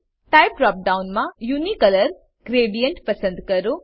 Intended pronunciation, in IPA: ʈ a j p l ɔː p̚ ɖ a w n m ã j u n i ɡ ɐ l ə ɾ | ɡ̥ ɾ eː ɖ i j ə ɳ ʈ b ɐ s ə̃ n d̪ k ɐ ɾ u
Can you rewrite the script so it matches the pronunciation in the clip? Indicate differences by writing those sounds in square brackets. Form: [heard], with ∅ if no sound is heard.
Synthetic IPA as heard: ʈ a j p [ɾ] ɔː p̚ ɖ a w n m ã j u n i [k] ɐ l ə ɾ | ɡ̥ ɾ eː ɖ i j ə ɳ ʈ [p] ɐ s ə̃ n d̪ k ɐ ɾ u